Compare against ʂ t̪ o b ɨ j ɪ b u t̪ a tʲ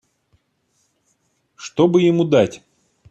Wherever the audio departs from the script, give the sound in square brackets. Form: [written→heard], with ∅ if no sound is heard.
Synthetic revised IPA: ʂ t̪ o b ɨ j ɪ [b→m] u [t̪→d̪] a tʲ

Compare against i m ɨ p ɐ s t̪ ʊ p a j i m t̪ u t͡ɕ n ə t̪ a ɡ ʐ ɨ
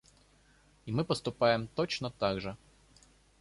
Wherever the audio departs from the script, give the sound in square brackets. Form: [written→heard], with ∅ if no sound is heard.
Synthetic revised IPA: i m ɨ p [ɐ→ə] s t̪ ʊ p a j [i→ɪ] m t̪ [u→o] t͡ɕ n ə t̪ a ɡ ʐ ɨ

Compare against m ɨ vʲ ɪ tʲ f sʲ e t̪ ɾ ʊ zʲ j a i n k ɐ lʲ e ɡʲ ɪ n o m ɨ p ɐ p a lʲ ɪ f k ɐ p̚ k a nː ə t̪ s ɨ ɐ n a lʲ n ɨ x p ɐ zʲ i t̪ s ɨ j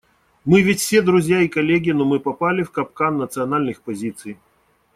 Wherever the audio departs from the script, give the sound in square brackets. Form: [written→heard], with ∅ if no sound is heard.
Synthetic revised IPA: m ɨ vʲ ɪ tʲ f sʲ e [t̪→d̪] ɾ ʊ zʲ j a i [n→∅] k ɐ lʲ e ɡʲ ɪ n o m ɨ p ɐ p a lʲ ɪ f k ɐ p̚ k a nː ə t̪ s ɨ ɐ n a lʲ n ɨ x p ɐ zʲ i t̪ s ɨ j

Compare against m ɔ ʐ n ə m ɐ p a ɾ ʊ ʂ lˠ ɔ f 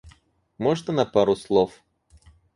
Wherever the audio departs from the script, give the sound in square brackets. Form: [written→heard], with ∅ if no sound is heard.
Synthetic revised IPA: m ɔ ʐ n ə [m→n] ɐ p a ɾ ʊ [ʂ→s] lˠ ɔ f

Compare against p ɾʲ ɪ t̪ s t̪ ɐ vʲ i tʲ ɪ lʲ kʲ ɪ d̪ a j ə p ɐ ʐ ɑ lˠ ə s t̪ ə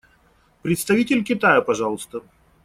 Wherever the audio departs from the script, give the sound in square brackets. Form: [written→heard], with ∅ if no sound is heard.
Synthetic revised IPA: p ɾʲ ɪ t̪ s t̪ ɐ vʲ i tʲ ɪ lʲ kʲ ɪ [d̪→t̪] a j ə p ɐ ʐ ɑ lˠ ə s t̪ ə

